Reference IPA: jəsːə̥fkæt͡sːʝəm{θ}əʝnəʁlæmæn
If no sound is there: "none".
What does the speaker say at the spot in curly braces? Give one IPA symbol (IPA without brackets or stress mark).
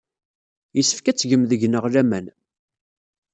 ð